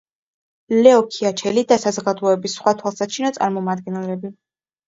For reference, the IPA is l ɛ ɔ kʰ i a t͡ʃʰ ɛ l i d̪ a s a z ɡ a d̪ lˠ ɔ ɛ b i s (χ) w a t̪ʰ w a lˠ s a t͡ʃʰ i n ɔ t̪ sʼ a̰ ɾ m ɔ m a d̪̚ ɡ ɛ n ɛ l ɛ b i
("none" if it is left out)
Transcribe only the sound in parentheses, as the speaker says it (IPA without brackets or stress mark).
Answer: χ